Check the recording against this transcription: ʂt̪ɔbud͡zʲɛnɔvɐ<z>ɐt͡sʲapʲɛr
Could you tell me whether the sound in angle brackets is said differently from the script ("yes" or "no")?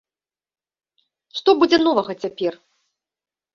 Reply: yes